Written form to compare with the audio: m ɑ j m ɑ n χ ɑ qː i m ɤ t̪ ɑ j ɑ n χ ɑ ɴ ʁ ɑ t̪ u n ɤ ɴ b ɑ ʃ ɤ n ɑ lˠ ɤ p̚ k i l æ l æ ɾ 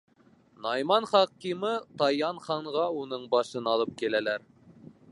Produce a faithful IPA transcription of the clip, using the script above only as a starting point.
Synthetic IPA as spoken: n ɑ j m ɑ n χ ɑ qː i m ɤ t̪ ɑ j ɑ n χ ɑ ɴ ʁ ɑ u n ɤ ɴ b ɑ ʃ ɤ n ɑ lˠ ɤ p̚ k i l æ l æ ɾ